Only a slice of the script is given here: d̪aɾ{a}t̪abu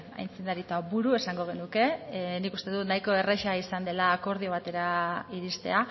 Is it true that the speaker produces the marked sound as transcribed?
no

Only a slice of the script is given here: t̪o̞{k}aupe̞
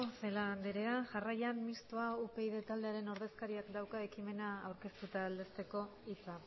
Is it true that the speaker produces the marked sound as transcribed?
no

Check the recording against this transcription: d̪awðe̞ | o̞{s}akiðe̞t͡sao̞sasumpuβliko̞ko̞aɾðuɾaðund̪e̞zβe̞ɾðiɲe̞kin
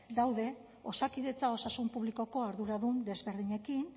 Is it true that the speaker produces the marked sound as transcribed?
yes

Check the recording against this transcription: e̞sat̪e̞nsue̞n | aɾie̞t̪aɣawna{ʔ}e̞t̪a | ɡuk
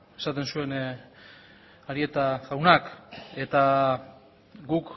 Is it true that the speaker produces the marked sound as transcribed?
no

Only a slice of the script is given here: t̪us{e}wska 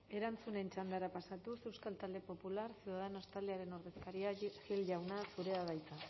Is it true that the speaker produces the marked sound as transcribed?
yes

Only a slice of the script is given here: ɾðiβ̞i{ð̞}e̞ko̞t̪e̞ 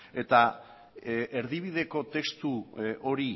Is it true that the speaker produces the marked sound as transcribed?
yes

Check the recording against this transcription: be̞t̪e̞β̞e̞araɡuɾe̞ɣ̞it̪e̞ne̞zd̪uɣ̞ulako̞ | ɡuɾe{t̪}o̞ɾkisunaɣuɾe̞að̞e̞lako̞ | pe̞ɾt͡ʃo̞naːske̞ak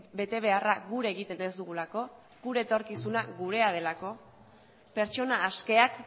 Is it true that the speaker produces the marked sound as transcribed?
yes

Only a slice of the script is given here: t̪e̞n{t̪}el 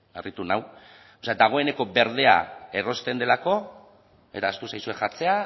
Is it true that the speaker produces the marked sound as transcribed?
no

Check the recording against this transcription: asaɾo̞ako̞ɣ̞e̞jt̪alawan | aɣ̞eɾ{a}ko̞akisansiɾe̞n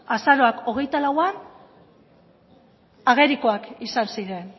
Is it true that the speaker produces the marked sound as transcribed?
no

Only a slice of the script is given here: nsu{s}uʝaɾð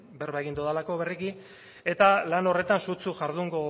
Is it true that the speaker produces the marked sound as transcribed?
no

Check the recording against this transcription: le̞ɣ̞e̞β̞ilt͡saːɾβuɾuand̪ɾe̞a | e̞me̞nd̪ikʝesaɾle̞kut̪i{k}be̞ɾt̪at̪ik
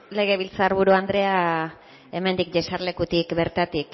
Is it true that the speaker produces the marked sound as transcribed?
yes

